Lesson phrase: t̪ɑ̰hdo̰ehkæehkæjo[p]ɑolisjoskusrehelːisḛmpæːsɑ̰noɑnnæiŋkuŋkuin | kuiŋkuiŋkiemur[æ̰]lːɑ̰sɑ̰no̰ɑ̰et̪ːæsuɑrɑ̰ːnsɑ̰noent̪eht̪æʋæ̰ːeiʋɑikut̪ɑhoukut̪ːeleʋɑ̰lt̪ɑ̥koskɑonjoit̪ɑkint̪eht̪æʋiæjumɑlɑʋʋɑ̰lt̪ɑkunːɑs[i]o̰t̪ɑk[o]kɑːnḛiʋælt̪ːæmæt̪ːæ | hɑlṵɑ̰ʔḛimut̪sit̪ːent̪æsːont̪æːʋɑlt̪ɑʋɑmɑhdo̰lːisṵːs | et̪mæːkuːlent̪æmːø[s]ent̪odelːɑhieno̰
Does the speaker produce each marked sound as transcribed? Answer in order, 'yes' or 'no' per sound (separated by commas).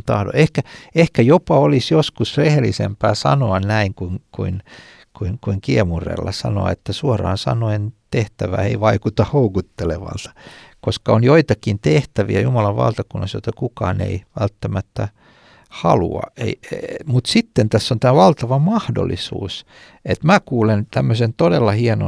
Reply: yes, no, no, no, yes